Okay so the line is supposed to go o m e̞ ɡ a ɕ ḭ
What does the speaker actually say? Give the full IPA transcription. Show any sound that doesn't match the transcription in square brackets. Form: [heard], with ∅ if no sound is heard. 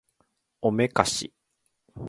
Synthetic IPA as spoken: o m e̞ [k] a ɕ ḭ